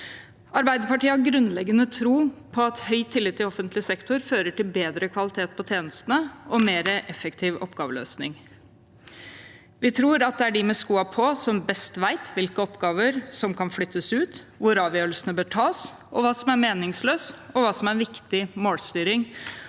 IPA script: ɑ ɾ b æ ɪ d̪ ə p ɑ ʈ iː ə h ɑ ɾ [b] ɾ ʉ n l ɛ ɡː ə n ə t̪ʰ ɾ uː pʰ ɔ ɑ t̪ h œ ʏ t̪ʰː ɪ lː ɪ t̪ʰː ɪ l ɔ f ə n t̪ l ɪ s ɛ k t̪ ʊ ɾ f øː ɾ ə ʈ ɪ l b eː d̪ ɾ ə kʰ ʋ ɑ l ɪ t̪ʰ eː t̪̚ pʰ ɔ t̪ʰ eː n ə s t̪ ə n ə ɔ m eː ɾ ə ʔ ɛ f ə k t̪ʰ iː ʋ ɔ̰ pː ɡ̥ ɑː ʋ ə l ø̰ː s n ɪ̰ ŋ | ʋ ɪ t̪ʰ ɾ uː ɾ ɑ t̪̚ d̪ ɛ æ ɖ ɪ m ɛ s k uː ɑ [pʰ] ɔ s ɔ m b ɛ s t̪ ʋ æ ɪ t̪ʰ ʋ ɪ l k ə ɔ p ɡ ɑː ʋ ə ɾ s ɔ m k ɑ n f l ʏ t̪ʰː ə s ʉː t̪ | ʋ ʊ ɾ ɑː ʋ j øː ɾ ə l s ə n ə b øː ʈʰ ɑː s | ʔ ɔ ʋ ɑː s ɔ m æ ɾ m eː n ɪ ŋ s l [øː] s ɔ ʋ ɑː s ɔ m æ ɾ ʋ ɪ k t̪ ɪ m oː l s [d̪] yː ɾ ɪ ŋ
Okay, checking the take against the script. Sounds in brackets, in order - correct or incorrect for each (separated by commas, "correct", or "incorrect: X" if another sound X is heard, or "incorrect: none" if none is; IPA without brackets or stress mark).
incorrect: ɡ, correct, correct, incorrect: t̪